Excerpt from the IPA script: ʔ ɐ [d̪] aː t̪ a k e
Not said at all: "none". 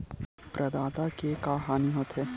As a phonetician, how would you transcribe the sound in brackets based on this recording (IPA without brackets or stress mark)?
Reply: d̪